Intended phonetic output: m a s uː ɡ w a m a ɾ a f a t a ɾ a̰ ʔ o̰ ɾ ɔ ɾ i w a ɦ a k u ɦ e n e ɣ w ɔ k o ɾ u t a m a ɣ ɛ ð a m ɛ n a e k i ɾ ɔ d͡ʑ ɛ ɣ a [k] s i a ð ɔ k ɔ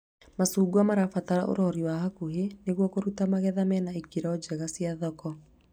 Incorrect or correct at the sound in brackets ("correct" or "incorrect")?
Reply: incorrect